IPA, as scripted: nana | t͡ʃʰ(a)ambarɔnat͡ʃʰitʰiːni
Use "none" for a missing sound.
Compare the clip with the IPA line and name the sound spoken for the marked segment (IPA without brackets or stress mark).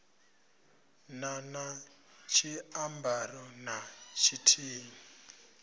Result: i